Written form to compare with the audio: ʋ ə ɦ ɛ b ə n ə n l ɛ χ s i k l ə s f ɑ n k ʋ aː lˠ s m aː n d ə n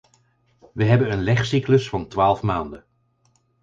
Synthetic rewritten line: ʋ ə ɦ ɛ b ə n ə n l ɛ χ s i k l ə s f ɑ n t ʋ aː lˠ f m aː n d ə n